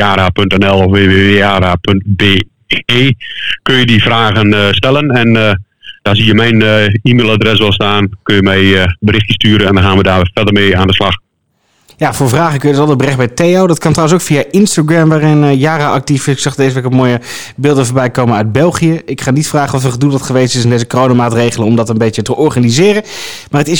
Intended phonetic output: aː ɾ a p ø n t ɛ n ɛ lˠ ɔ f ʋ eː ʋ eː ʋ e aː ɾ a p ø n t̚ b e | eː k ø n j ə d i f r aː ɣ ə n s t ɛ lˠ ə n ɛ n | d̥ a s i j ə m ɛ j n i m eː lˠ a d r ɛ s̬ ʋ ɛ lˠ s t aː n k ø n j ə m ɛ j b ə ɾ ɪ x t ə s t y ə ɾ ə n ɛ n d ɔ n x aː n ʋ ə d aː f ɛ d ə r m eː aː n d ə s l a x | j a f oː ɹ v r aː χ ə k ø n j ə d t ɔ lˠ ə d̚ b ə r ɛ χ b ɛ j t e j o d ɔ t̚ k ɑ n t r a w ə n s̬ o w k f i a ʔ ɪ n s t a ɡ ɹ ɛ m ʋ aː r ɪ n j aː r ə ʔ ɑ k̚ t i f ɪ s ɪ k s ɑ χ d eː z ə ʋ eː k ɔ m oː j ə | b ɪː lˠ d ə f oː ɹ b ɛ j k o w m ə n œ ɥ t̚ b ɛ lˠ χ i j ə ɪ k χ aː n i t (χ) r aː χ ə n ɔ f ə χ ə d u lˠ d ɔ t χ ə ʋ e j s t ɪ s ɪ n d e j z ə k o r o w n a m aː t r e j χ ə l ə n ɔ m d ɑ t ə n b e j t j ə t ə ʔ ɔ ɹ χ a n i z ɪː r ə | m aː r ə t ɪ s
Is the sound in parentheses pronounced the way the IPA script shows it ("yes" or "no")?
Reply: no